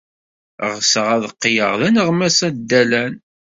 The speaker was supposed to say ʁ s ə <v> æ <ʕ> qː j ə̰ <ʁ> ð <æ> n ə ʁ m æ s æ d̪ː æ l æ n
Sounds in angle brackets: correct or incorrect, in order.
incorrect, incorrect, correct, correct

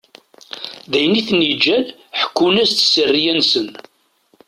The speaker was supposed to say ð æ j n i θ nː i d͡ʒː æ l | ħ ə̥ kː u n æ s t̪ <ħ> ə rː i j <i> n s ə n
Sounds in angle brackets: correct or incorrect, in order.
incorrect, incorrect

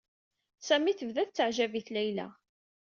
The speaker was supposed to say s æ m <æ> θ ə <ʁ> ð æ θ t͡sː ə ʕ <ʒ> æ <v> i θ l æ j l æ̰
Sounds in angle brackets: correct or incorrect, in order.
incorrect, incorrect, correct, correct

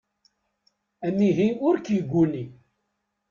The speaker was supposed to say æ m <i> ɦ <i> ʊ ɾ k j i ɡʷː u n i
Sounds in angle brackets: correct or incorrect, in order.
correct, correct

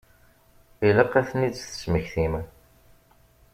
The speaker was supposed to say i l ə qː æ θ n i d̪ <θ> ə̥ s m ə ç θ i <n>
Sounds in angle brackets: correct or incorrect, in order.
correct, incorrect

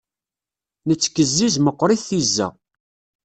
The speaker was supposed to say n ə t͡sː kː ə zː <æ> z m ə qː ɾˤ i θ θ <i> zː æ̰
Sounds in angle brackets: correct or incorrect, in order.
incorrect, correct

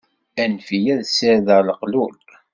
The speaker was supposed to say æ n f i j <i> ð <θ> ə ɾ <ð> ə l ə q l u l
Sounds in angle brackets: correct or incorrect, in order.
incorrect, incorrect, correct

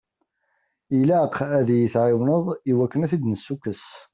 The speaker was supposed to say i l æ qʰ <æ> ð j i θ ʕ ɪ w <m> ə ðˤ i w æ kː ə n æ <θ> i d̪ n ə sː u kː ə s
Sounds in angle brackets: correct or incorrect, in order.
correct, incorrect, correct

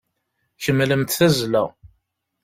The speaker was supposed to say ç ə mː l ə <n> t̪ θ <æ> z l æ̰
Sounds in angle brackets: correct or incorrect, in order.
incorrect, correct

